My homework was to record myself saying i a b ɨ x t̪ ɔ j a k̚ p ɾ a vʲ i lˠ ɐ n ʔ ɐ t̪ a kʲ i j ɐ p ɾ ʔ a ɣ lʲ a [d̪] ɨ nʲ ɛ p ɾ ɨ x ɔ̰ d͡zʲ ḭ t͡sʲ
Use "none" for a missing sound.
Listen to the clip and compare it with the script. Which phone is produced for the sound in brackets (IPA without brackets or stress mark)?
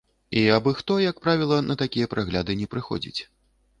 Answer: d̪